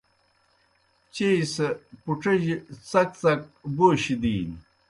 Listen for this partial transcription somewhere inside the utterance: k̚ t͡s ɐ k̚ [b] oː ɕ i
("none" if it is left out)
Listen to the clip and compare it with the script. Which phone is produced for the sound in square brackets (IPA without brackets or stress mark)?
b